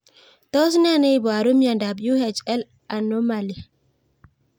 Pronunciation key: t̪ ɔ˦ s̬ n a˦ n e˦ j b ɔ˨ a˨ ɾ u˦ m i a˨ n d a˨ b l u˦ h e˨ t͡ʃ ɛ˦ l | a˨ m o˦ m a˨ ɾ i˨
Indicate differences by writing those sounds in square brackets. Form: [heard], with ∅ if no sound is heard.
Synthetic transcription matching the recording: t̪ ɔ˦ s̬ n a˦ n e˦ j b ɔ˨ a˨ ɾ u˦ m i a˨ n d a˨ b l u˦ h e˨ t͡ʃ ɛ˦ l | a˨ [n] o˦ m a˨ [l] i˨

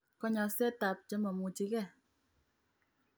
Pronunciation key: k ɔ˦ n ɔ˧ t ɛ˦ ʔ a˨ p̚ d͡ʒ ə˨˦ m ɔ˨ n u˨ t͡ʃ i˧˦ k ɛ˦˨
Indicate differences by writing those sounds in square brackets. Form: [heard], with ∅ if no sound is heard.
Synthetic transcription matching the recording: k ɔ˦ [ɲ] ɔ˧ [s] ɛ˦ [t] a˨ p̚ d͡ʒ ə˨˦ m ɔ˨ [m] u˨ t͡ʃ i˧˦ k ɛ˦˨

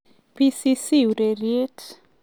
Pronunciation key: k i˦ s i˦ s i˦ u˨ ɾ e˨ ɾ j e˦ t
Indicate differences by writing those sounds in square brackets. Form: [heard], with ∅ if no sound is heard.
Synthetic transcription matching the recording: [p] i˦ s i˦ s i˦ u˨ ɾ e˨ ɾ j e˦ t

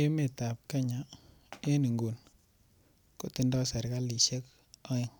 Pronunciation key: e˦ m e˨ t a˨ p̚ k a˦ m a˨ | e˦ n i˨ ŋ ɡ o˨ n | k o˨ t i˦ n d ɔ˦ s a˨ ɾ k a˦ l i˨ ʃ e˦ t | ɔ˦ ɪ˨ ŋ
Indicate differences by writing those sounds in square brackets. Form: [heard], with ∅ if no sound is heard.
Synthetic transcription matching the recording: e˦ m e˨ t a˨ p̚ k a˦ [ɲ] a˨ | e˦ n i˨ ŋ ɡ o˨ n | k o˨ t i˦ n d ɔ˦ s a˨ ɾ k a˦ l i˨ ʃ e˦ [k] | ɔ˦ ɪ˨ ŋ

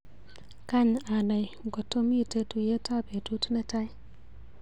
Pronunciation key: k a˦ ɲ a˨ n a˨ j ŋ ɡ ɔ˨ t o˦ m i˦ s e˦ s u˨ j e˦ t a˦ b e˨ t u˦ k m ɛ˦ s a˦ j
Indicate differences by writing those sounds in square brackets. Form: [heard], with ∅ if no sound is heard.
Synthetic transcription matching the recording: k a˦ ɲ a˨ n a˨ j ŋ ɡ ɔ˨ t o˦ m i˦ [t] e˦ [t] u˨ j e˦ t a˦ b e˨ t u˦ [t] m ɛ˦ [t] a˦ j

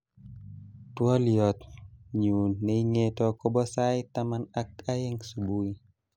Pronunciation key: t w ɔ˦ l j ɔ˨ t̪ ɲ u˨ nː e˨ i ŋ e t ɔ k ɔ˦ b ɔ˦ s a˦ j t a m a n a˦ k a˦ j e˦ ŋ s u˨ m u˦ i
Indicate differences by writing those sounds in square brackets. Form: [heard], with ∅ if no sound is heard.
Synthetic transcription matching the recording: t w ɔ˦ l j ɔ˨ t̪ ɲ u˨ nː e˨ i ŋ e t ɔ k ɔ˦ b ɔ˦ s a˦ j t a m a n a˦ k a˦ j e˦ ŋ s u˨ [b] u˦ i

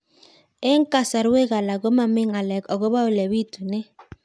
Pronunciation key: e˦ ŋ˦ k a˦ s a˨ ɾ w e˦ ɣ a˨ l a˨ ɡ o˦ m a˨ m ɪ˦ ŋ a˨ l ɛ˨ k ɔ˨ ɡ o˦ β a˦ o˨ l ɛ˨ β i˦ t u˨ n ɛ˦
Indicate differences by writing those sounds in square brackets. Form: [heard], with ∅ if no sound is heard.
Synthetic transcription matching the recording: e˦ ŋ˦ k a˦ s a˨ ɾ w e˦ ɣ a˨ l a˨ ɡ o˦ m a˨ m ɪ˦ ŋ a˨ l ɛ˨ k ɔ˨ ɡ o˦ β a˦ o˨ l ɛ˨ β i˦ t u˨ n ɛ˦

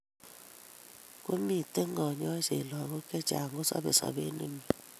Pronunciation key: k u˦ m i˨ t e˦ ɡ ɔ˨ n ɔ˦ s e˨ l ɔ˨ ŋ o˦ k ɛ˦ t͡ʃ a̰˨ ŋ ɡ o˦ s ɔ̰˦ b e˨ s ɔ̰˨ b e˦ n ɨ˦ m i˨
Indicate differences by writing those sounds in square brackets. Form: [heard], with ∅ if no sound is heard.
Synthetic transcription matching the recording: k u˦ m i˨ t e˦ [ŋ] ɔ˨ [ɲ] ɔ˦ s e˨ l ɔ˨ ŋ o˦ k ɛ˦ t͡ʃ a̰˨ ŋ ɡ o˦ s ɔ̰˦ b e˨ s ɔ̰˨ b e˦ n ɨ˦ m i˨

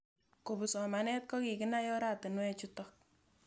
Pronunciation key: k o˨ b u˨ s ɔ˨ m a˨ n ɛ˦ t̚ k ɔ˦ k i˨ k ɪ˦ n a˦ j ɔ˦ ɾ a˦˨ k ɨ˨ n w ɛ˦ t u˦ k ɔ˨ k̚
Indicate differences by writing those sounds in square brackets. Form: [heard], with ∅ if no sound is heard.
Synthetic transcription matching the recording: k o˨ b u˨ s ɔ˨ m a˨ n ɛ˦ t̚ k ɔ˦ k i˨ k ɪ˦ n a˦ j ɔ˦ ɾ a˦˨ [t] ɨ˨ n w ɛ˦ [t͡ʃ] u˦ [t] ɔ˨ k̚

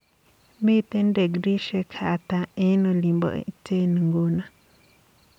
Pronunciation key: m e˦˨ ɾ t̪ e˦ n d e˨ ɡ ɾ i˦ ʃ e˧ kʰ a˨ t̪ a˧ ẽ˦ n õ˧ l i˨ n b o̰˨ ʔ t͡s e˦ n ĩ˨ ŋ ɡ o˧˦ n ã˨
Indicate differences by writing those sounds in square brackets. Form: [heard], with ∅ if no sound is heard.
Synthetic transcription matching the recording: m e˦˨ [∅] t̪ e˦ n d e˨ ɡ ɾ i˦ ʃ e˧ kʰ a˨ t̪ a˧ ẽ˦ n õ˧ l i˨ [m] b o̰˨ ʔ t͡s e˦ n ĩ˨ ŋ ɡ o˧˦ n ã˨

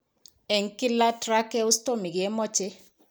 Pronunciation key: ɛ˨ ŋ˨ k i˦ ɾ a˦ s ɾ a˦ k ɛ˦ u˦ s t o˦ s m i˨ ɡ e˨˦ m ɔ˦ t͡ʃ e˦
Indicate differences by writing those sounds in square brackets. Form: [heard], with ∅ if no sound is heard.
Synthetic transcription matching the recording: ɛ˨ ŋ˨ k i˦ [l] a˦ [t] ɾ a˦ k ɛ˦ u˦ s t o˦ [∅] m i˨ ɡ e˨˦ m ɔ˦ t͡ʃ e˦

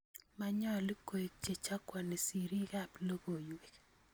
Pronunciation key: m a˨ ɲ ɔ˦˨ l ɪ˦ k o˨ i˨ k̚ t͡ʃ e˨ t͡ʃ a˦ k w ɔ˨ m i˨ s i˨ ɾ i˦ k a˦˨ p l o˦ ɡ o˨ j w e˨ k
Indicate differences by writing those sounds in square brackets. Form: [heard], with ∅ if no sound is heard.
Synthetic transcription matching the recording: m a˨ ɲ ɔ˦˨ l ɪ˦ k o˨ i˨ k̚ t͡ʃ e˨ t͡ʃ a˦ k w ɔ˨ [n] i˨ s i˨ ɾ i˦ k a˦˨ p l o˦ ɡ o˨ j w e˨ k

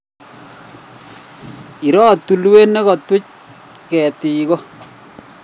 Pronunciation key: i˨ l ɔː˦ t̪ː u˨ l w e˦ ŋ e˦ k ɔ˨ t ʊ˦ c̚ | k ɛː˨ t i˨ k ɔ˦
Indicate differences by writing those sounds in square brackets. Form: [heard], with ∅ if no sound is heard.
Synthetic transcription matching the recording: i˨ [ɾ] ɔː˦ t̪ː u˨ l w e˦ [n] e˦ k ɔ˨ t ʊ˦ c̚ | k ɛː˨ t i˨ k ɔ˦

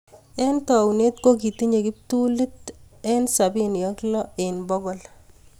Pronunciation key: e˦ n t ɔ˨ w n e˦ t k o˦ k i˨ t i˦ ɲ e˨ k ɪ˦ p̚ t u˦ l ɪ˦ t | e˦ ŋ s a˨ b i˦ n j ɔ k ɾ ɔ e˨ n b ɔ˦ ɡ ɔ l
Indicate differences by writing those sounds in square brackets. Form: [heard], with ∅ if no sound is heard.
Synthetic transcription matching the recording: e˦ n t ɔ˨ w n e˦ t k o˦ k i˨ t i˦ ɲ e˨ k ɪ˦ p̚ t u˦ l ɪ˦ t | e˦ [n] s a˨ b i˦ n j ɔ k [l] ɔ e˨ n b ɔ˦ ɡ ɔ l

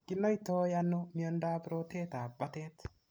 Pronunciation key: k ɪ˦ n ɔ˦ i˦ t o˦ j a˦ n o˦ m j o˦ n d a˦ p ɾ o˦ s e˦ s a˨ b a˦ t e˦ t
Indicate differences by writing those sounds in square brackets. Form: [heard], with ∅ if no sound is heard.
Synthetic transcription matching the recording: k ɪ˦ n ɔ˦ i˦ t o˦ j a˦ n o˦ m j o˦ n d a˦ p ɾ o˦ [t] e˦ [t] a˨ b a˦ t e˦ t

